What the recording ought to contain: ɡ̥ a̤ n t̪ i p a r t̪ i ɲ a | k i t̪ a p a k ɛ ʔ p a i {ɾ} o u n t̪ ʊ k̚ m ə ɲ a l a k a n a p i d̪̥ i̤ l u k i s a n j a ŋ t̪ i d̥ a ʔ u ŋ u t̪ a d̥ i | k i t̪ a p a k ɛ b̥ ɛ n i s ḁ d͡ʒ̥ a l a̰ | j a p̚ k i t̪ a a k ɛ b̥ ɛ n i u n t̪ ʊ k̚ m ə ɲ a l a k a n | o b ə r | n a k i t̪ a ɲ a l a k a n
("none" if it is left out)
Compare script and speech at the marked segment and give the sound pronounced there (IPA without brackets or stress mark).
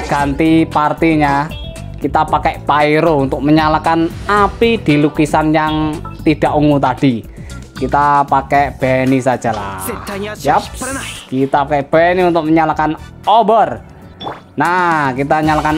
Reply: ɾ